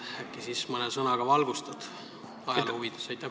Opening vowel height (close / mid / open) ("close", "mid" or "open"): open